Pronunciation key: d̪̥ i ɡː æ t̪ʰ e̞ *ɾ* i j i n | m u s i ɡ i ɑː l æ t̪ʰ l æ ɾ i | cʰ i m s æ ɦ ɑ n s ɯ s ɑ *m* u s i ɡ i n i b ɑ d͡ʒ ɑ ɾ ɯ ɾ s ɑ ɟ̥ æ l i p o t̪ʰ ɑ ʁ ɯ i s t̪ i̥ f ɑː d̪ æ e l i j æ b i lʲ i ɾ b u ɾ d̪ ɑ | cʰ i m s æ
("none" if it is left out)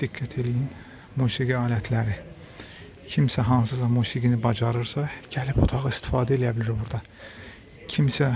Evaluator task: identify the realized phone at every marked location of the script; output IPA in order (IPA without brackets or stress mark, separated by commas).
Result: l, m